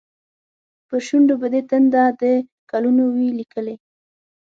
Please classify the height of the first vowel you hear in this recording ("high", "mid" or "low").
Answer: mid